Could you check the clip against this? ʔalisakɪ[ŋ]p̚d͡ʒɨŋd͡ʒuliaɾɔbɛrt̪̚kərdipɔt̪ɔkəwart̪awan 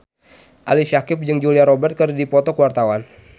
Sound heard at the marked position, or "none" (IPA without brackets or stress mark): none